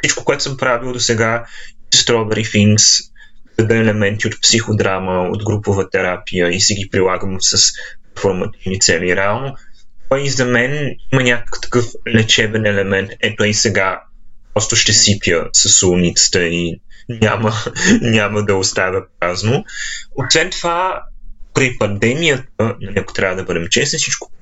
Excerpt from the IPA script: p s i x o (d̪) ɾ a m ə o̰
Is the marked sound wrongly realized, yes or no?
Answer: no